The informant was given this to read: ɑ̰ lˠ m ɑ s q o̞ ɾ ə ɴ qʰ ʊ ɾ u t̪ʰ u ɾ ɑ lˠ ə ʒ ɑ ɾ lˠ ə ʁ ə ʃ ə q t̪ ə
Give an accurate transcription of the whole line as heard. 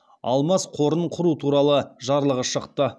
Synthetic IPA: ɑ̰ lˠ m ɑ s qʰ o̞ ɾ ə ɴ qʰ ʊ ɾ u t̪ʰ u ɾ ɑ lˠ ə ʒ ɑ ɾ lˠ ə ʁ ə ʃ ə q t̪ ə